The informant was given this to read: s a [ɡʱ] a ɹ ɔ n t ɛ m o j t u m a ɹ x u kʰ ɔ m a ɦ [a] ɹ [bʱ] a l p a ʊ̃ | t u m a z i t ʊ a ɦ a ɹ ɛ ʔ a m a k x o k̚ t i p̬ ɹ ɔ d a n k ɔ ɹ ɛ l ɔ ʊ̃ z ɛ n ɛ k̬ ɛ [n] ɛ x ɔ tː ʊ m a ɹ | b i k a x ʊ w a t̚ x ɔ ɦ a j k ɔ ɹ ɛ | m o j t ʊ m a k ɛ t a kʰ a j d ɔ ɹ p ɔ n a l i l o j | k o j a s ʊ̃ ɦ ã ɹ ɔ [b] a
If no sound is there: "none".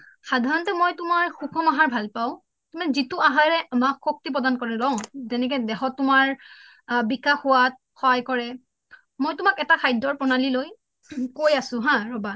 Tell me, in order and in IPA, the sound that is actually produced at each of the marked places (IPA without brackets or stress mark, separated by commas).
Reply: dʱ, a, bʱ, d, b